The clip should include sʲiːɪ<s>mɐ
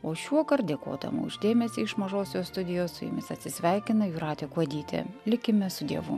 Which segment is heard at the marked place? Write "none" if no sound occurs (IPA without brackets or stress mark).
ʃ